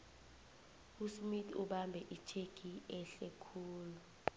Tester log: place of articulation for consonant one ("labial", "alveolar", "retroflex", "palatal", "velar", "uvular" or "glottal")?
alveolar